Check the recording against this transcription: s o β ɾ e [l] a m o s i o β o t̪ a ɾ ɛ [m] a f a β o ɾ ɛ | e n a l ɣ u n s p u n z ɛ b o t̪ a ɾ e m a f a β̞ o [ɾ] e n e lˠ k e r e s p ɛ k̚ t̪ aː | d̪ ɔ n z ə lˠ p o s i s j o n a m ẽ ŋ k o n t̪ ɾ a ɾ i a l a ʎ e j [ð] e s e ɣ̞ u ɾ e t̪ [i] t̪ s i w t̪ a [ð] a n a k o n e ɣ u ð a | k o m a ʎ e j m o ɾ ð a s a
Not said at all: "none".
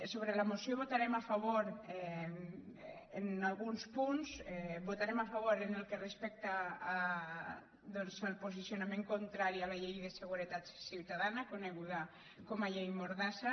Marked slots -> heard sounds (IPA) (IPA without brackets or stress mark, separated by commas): l, m, ɾ, ð, a, ð